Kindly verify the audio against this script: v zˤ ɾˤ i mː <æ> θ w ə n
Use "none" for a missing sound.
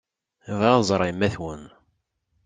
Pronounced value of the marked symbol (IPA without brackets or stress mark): æ